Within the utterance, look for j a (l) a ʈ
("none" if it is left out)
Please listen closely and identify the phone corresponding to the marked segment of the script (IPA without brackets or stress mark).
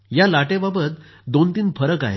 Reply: l